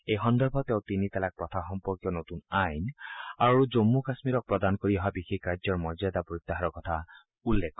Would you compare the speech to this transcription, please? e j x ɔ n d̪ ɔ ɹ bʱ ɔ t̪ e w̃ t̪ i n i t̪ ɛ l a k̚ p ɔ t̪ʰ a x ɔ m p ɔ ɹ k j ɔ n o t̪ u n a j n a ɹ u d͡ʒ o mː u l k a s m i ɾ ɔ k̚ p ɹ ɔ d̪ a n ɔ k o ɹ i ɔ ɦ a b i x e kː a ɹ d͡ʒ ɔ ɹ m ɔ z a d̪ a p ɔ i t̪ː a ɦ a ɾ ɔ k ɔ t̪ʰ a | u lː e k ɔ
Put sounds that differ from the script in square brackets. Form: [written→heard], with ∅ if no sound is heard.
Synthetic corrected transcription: e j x ɔ n d̪ ɔ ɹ bʱ ɔ t̪ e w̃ t̪ i n i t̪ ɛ l a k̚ p ɔ t̪ʰ a x ɔ m p ɔ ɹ k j ɔ n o t̪ u n a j n a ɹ u d͡ʒ o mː u [l→∅] k a s m i ɾ ɔ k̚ p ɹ ɔ d̪ a n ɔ k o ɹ i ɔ ɦ a b i x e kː a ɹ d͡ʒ ɔ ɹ m ɔ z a d̪ a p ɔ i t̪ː a ɦ a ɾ ɔ k ɔ t̪ʰ a | u lː e k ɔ